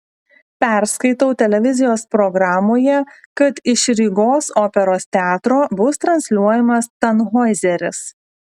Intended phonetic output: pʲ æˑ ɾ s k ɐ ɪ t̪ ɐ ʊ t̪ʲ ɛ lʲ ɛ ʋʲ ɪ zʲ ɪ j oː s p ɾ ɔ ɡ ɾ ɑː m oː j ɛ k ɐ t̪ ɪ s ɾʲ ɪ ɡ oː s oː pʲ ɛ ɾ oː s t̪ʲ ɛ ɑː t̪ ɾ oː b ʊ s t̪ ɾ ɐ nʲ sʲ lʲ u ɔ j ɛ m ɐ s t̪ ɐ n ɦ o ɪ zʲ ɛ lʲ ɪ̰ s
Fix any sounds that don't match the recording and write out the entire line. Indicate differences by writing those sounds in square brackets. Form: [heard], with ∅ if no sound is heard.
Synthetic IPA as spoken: pʲ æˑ ɾ s k ɐ ɪ t̪ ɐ ʊ t̪ʲ ɛ lʲ ɛ ʋʲ ɪ zʲ ɪ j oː s p ɾ ɔ ɡ ɾ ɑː m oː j ɛ k ɐ t̪ ɪ [ʃ] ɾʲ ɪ ɡ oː s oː pʲ ɛ ɾ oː s t̪ʲ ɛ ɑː t̪ ɾ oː b ʊ s t̪ ɾ ɐ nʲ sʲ lʲ u ɔ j ɛ m ɐ s t̪ ɐ n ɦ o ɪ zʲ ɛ [ɾʲ] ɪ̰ s